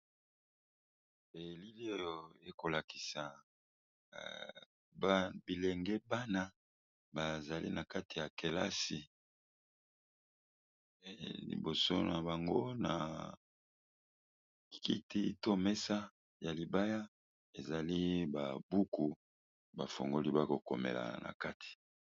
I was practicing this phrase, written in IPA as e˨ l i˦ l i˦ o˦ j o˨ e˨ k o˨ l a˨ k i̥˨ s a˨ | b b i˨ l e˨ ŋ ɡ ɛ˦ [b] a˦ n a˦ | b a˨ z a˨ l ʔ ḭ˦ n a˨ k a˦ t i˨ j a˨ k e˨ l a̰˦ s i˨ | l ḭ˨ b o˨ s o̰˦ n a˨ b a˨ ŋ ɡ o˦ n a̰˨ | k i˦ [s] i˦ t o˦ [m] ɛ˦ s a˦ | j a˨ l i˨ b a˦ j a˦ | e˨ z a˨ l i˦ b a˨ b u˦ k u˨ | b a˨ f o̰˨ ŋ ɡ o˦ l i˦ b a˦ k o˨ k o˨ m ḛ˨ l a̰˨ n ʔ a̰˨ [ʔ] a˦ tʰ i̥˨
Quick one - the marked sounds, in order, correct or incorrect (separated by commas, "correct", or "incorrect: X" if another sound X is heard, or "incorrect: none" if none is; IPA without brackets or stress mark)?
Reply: correct, incorrect: t, correct, incorrect: k